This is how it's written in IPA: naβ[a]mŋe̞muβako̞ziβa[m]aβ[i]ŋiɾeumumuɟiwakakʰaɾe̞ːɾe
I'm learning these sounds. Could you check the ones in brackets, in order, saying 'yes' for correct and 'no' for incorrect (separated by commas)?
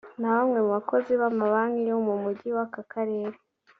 yes, yes, no